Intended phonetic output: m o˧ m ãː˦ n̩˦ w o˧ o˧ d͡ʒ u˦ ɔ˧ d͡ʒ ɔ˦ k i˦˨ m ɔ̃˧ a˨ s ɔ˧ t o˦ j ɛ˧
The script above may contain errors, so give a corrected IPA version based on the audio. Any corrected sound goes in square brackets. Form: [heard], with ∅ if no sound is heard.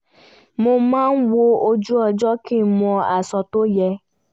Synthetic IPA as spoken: m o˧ m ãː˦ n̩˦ w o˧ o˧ d͡ʒ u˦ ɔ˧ d͡ʒ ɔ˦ k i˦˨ m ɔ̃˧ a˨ s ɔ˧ t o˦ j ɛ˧